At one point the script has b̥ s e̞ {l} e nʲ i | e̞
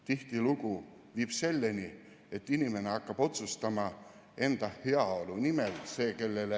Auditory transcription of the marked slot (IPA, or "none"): lː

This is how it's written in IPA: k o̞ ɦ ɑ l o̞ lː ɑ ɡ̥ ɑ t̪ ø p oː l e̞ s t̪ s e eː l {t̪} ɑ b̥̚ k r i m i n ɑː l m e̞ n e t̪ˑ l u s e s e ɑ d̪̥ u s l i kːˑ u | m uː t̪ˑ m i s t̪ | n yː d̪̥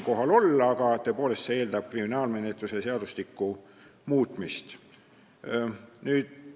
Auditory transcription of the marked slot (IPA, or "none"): d̪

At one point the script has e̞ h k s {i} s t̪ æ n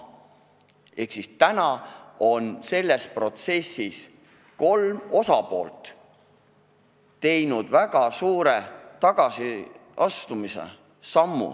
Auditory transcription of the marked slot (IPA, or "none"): i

